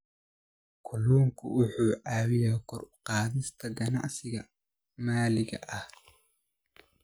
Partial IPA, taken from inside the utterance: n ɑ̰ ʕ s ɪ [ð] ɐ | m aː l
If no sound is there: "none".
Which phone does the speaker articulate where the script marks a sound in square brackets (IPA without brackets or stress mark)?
ɣ